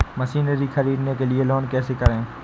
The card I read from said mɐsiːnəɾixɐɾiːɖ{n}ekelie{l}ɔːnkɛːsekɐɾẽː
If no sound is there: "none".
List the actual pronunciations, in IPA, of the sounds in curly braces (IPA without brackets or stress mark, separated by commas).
n, l